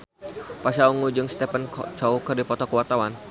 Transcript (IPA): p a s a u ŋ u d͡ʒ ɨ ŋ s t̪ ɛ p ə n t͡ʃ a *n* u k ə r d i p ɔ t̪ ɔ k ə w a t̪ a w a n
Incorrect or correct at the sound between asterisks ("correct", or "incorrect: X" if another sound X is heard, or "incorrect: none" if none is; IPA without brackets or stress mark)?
incorrect: none